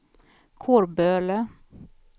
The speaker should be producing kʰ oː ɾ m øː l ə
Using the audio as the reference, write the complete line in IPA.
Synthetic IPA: kʰ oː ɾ b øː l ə

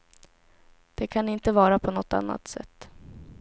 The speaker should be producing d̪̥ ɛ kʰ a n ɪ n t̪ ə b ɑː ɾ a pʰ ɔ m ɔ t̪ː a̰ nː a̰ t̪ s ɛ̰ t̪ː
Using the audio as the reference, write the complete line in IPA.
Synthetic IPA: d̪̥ ɛ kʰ a n ɪ n t̪ ə v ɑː ɾ a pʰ ɔ n ɔ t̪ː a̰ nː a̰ t̪ s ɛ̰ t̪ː

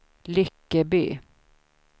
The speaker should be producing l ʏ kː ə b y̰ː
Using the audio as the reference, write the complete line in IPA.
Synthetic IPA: l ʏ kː ə b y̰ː

